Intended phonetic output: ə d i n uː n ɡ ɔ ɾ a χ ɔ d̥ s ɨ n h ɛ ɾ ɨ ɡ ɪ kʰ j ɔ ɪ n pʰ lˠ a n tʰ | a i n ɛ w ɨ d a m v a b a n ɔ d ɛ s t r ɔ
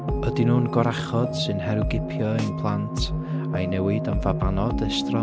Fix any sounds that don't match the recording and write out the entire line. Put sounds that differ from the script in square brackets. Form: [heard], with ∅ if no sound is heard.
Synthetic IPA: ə d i n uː n ɡ ɔ ɾ a χ ɔ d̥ s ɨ n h ɛ ɾ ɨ ɡ ɪ [pʰ] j ɔ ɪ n pʰ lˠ a n tʰ | a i n ɛ w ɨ d a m v a b a n ɔ d ɛ s t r ɔ